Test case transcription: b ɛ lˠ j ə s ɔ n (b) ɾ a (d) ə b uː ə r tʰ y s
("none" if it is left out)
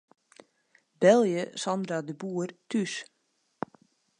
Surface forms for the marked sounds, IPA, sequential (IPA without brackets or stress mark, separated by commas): d, d